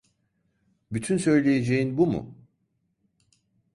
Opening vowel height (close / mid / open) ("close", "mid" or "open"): close